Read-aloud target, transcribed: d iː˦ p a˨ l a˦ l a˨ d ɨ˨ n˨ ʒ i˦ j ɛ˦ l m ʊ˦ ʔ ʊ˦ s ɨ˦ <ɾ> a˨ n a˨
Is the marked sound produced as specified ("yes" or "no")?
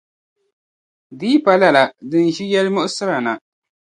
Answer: yes